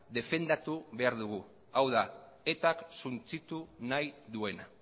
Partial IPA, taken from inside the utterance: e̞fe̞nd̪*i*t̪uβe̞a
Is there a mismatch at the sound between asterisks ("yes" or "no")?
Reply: yes